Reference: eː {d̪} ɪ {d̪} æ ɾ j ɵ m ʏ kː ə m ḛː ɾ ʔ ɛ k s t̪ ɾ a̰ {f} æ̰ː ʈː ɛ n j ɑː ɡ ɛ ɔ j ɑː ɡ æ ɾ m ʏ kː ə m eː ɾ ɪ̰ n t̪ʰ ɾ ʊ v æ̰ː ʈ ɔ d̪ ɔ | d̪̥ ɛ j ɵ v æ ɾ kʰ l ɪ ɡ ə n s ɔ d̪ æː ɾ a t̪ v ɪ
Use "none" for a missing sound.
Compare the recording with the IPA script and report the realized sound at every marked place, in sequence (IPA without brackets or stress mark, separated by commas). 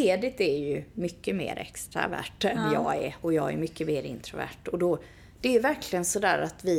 d̪, t̪, v